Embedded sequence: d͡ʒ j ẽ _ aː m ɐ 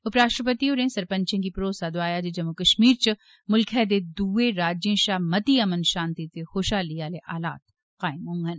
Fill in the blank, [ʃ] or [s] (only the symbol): ʃ